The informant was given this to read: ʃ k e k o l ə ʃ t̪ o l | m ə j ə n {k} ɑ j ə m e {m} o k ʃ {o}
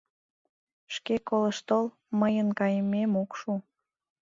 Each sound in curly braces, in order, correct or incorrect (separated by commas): correct, correct, incorrect